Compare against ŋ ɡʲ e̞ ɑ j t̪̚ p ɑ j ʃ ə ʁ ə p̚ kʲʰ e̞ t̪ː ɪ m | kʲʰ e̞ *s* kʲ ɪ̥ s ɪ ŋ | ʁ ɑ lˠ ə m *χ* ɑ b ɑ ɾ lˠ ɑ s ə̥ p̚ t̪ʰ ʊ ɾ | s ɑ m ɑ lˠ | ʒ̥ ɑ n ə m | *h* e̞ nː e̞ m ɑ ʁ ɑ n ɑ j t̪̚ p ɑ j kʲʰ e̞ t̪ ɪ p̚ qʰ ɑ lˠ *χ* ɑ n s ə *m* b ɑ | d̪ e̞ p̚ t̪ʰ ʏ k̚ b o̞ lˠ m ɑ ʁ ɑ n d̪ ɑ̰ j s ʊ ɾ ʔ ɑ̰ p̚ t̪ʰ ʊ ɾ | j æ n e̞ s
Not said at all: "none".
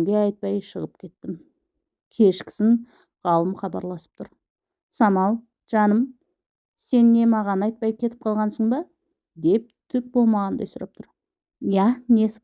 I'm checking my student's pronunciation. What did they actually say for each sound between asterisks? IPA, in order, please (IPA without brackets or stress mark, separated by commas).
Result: ʃ, χ, s, ʁ, ɴ